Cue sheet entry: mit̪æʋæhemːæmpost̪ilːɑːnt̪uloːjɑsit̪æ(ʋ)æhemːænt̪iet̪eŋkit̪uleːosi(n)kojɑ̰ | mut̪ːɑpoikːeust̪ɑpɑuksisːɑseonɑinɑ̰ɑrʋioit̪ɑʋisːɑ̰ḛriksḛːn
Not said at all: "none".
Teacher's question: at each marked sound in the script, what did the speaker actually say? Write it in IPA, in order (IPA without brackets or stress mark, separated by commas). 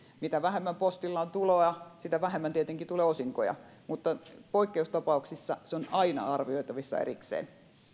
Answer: ʋ, ŋ